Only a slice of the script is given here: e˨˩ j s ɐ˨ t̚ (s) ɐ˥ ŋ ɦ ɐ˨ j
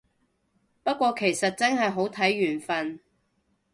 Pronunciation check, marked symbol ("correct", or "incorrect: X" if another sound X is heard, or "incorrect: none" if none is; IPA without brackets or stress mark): incorrect: t͡s